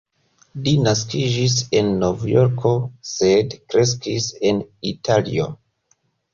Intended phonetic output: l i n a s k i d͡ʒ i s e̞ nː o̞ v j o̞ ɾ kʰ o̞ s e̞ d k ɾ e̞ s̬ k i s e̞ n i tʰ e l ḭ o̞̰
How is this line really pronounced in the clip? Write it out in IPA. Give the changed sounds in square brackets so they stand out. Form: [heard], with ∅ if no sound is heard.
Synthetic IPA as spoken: l i n a s k i d͡ʒ i s e̞ nː o̞ v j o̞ ɾ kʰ o̞ s e̞ d k ɾ e̞ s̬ k i s e̞ n i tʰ [a] l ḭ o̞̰